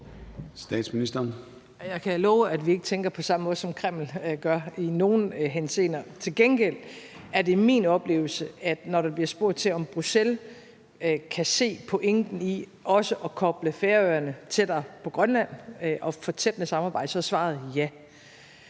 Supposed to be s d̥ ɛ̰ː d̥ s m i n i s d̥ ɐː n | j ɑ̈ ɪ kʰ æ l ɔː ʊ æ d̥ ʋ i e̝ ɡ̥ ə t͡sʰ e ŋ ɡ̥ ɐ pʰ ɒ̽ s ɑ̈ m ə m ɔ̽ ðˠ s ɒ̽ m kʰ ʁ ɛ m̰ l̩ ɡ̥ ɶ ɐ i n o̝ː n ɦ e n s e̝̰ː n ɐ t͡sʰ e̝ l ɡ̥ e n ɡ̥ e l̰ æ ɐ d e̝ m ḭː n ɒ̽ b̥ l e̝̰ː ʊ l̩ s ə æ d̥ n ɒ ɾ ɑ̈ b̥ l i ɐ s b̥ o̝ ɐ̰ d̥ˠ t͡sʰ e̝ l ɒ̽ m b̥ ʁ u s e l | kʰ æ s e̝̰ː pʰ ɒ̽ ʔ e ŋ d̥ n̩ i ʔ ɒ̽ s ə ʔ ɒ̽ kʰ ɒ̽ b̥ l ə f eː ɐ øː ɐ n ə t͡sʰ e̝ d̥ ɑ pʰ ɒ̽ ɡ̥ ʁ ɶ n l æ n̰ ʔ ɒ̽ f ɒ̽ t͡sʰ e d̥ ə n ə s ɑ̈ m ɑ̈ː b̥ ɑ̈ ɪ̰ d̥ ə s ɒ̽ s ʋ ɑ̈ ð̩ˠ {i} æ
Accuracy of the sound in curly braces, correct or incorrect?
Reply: incorrect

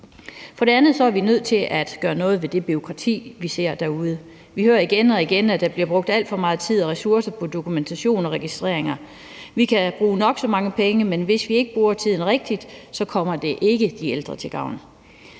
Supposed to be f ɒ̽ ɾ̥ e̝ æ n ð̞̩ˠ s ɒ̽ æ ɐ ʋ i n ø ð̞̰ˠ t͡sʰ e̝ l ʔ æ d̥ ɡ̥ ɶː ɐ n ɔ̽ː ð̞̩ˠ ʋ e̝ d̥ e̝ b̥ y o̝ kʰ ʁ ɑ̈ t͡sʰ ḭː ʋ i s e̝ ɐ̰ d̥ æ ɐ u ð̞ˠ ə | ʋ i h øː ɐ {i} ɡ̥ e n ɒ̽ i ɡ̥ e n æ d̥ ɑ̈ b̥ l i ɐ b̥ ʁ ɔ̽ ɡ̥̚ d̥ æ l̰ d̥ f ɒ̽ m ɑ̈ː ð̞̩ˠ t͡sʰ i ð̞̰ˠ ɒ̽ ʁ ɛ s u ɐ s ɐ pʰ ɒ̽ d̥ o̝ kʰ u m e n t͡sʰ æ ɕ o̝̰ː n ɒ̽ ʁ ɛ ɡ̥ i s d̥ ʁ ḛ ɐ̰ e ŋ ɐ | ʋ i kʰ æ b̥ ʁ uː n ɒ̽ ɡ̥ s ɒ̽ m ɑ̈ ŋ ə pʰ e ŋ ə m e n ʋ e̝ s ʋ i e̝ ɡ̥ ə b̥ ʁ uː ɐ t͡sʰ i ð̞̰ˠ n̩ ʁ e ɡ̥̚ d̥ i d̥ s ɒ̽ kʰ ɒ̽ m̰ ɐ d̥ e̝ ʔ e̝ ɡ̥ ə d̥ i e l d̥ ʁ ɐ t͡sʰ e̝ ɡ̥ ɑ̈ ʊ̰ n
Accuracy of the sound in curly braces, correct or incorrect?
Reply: correct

